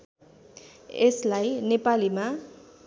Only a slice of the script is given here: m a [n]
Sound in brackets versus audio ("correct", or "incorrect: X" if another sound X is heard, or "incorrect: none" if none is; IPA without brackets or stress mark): incorrect: none